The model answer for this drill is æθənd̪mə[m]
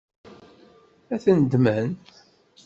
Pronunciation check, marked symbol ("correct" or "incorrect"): incorrect